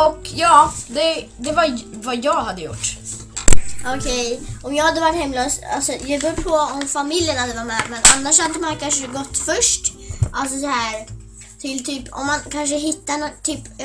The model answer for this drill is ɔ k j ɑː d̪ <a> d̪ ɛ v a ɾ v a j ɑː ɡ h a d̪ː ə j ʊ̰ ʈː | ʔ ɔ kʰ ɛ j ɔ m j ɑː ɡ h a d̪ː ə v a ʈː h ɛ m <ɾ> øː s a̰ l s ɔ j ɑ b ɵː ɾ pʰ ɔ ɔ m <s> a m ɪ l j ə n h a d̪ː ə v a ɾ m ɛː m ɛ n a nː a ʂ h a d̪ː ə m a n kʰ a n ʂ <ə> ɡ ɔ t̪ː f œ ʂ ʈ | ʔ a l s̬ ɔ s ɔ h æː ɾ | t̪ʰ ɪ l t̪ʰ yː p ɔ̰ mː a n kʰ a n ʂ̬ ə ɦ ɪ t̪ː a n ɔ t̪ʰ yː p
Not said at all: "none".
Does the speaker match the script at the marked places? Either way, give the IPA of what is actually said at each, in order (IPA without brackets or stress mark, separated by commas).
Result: ɛ, l, f, ə